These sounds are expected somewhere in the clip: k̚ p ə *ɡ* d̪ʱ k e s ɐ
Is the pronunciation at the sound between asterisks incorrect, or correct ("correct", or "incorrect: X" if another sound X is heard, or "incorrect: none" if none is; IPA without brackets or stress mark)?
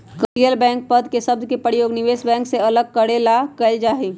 incorrect: none